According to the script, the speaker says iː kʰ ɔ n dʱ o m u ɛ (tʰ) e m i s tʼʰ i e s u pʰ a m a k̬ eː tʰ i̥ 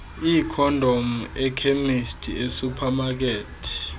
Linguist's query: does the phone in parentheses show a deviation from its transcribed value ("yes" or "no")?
yes